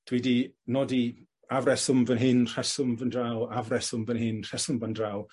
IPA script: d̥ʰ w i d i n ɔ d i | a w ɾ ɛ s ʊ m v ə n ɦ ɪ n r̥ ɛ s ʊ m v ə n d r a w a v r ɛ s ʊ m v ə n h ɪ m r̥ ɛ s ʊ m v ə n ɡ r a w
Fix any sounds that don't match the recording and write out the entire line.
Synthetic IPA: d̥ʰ w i d i n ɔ d i | a v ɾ ɛ s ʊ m v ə n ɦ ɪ n r̥ ɛ s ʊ m v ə n d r a w a v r ɛ s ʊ m v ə n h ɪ n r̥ ɛ s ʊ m v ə n d r a w